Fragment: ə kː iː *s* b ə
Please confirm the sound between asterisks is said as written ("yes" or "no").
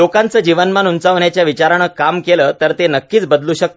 no